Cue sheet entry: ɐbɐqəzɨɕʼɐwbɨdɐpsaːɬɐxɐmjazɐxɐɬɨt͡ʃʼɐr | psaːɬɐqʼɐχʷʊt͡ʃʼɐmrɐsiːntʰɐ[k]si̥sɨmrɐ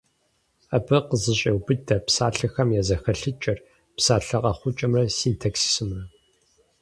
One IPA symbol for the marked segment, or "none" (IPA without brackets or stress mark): k